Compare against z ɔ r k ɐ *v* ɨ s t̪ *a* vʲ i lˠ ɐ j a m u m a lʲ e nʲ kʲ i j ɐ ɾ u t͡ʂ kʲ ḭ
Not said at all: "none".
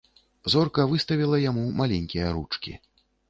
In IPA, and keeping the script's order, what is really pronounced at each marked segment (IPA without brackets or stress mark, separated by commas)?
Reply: v, ɐ